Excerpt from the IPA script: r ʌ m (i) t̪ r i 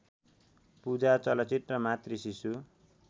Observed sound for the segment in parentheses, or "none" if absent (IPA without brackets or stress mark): a